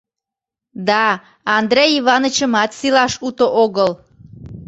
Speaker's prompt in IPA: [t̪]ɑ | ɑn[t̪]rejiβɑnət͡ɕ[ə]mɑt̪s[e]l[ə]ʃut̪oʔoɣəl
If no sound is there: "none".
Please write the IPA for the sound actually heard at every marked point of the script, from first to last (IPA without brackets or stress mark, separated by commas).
d̪, d̪, ə, i, ɑ